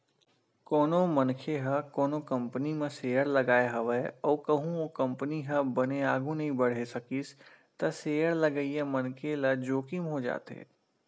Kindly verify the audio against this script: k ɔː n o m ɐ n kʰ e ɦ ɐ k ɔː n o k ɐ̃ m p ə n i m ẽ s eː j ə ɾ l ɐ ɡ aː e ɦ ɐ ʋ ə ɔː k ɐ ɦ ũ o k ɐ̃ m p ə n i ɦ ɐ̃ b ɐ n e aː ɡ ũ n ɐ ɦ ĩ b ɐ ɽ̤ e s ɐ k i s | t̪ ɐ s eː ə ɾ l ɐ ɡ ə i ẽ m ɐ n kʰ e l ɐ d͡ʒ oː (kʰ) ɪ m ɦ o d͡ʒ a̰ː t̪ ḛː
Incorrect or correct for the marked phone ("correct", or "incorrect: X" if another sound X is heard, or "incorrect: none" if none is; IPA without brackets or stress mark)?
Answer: incorrect: k